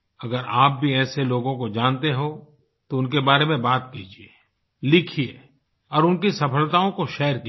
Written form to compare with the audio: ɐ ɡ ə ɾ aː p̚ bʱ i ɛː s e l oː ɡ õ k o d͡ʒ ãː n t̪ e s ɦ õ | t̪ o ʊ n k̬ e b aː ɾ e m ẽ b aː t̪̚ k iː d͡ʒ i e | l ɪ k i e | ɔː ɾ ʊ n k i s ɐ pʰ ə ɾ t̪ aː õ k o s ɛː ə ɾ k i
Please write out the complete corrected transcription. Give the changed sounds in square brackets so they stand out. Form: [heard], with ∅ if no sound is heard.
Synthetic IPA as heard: ɐ ɡ ə ɾ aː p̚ bʱ i ɛː s e l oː ɡ õ k o d͡ʒ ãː n t̪ e [∅] ɦ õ | t̪ o ʊ n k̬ e b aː ɾ e m ẽ b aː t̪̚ k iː d͡ʒ i e | l ɪ [kʰ] i e | ɔː ɾ ʊ n k i s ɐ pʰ ə [l] t̪ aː õ k o [ʃ] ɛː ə ɾ k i